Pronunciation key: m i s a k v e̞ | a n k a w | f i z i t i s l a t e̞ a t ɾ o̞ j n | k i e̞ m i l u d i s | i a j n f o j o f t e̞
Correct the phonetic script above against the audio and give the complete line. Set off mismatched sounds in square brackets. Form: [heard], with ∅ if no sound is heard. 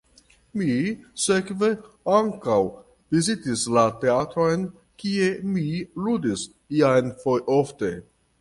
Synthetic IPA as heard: m i s [e] k v e̞ | a [ŋ] k a w | [v] i z i t i s l a t e̞ a t ɾ o̞ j n | k i e̞ m i l u d i s | i a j n f o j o f t e̞

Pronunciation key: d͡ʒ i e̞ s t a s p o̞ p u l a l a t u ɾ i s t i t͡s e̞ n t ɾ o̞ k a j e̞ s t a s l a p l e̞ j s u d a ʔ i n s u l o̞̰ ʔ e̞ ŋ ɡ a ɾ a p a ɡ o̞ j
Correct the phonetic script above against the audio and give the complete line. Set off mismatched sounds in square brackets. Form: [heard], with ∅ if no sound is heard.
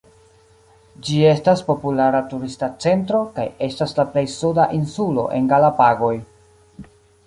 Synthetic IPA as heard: d͡ʒ i e̞ s t a s p o̞ p u l a [ɾ] a t u ɾ i s t [a] t͡s e̞ n t ɾ o̞ k a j e̞ s t a s l a p l e̞ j s u d a ʔ i n s u l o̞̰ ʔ e̞ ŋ ɡ a [l] a p a ɡ o̞ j

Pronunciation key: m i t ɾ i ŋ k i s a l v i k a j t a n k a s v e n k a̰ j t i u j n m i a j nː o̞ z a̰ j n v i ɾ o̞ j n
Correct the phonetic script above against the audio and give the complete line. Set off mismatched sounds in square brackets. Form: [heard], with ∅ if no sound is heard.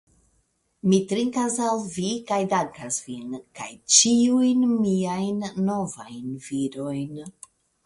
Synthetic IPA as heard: m i t ɾ i ŋ k [a] s a l v i k a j [d] a [ŋ] k a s v [i] n k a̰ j [t͡ʃ] i u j n m i a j nː o̞ [v] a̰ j n v i ɾ o̞ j n

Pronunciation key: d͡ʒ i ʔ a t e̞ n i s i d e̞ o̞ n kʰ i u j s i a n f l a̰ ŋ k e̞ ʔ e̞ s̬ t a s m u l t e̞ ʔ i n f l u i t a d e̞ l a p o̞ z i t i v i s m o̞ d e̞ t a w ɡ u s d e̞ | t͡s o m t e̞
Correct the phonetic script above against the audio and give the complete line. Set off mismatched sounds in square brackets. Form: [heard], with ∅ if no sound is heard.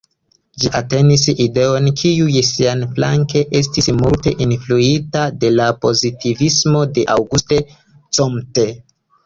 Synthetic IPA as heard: d͡ʒ i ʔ a t e̞ n i s i d e̞ o̞ n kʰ i u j s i a n f l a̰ ŋ k e̞ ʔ e̞ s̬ t [i] s m u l t e̞ ʔ i n f l u i t a d e̞ l a p o̞ z i t i v i s m o̞ d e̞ [ʔ] a w ɡ u s [t] e̞ | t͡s o m t e̞

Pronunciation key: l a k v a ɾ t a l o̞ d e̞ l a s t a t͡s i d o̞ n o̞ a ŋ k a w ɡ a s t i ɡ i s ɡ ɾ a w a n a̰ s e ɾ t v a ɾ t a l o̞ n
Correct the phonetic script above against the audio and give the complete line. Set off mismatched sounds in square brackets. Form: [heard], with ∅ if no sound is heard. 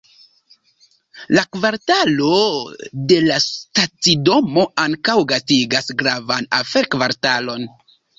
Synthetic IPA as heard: l a k v a ɾ t a l o̞ d e̞ l a s t a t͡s i d o̞ [m] o̞ a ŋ k a w ɡ a s t i ɡ [a] s ɡ ɾ a [v] a n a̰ [f] e ɾ [k] v a ɾ t a l o̞ n

